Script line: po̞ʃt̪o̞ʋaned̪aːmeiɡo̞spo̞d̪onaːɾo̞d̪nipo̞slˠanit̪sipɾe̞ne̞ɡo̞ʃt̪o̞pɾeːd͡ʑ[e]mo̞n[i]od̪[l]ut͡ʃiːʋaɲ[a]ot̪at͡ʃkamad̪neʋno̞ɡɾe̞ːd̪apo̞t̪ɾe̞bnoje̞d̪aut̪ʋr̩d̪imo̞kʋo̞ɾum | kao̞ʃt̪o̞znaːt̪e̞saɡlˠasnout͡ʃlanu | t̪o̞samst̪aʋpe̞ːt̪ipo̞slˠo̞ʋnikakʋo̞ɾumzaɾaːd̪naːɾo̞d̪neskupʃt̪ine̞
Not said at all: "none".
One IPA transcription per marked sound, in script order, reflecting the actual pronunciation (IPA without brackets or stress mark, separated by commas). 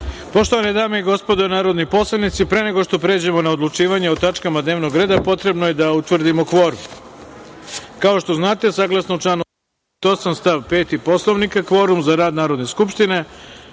e, a, l, e